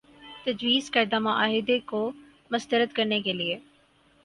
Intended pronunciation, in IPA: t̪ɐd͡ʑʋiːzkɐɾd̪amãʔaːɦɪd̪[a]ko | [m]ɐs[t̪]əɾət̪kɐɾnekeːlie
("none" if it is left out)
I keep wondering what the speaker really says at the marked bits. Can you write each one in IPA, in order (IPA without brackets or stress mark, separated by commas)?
e, m, t̪